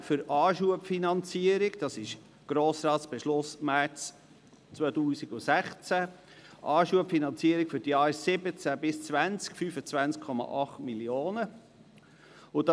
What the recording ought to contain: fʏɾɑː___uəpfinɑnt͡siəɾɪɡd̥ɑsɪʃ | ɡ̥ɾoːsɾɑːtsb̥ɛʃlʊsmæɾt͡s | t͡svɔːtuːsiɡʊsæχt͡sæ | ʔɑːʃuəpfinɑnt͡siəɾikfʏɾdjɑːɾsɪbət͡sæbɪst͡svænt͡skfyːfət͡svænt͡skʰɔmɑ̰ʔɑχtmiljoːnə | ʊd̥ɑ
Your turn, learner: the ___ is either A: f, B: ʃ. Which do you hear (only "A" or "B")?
B